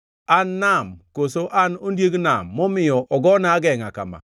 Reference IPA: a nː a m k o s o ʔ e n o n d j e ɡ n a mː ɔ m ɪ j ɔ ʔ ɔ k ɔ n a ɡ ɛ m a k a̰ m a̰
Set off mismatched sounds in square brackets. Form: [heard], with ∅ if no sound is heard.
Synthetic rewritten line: a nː a m k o s o ʔ [a] n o n d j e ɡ n a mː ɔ m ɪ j ɔ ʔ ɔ [ɡ] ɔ n a ɡ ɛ [ŋ] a k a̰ m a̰

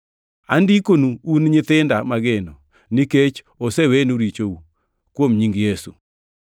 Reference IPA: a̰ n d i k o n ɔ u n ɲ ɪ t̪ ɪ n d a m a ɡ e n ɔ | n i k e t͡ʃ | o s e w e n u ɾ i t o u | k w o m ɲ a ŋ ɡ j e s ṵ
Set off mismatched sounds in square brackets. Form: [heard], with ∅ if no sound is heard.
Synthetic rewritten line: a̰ n d i k o n [u] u n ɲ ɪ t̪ ɪ n d a m a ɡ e n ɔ | n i k e t͡ʃ | o s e w e n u ɾ i [t͡ʃ] o u | k w o m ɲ [i] ŋ ɡ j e s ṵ

